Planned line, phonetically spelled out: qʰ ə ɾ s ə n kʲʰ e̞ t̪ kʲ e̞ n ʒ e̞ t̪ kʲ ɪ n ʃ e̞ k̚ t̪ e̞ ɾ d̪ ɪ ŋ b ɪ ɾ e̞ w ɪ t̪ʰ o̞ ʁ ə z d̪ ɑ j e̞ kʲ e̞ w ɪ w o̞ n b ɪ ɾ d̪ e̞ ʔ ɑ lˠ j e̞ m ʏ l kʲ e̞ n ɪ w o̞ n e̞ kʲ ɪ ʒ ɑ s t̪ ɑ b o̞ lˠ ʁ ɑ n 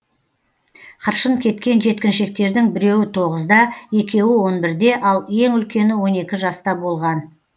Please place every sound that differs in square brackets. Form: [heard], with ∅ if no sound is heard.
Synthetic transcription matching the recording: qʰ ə ɾ [ʃ] ə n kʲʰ e̞ t̪ kʲ e̞ n ʒ e̞ t̪ kʲ ɪ n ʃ e̞ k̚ t̪ e̞ ɾ d̪ ɪ ŋ b ɪ ɾ e̞ w ɪ t̪ʰ o̞ ʁ ə z d̪ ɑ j e̞ kʲ e̞ w ɪ w o̞ n b ɪ ɾ d̪ e̞ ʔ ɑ lˠ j e̞ [ŋ] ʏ l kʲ e̞ n ɪ w o̞ n e̞ kʲ ɪ ʒ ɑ s t̪ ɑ b o̞ lˠ ʁ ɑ n